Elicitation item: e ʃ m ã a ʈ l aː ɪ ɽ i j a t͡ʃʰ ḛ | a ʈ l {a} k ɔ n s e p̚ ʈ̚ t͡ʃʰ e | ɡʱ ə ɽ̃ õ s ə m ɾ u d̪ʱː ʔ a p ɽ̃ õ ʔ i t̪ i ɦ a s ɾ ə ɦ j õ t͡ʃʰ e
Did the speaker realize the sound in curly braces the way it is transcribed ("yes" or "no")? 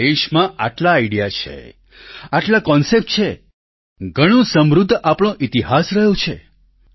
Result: yes